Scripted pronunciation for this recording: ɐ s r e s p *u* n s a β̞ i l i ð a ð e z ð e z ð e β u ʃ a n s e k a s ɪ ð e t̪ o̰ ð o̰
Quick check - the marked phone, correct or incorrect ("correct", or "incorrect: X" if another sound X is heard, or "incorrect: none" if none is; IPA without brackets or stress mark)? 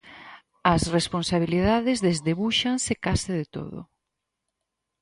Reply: incorrect: o